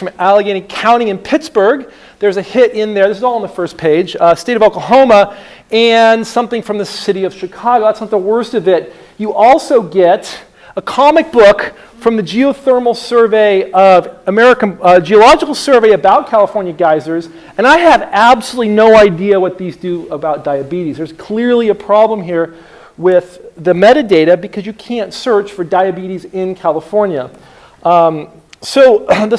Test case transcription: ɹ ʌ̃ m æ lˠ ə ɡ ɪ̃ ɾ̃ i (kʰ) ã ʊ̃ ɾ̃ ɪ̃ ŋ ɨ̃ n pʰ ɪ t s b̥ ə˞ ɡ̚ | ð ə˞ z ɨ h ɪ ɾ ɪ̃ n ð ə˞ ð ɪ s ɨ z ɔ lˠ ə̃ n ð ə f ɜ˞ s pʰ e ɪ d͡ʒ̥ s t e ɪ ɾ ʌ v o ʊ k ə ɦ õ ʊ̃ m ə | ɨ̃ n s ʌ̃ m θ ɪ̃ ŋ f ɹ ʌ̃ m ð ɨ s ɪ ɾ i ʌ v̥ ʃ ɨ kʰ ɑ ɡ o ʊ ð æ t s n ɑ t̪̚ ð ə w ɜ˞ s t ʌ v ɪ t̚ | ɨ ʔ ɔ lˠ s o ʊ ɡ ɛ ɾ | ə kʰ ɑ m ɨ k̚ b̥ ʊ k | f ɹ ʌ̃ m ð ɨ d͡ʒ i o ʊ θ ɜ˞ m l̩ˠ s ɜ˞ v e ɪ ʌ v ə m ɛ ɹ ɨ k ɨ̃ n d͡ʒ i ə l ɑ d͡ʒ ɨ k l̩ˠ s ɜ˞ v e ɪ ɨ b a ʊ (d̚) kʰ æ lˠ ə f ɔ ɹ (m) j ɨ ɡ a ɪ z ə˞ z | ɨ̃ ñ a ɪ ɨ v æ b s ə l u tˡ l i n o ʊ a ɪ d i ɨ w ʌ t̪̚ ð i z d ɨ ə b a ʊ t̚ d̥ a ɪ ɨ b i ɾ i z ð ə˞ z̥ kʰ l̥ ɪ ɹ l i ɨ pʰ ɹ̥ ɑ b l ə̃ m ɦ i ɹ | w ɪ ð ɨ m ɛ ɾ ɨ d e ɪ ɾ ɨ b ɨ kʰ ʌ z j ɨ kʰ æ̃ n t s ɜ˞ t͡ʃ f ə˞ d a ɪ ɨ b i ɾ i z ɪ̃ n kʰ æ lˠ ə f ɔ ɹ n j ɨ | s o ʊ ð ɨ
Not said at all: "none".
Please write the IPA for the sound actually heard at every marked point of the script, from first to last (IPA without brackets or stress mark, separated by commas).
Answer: kʰ, t̚, n